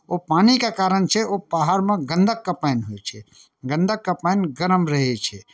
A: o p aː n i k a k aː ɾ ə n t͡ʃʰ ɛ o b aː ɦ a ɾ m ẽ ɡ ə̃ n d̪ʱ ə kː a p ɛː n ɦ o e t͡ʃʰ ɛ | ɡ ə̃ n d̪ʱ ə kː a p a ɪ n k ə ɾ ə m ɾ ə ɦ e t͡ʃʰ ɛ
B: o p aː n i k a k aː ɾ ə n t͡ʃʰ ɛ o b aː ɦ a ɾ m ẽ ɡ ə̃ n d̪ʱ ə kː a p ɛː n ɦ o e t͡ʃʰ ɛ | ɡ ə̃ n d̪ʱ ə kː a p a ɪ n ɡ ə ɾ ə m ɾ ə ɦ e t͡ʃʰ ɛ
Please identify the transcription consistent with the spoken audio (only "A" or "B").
B